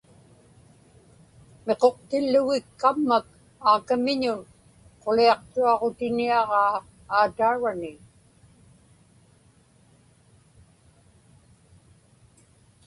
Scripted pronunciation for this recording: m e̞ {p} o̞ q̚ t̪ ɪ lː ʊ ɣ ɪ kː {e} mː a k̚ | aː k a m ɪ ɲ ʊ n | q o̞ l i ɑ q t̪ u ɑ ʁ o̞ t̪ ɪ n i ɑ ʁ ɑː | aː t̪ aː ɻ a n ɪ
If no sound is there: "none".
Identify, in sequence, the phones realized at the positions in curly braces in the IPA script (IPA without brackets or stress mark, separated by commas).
q, a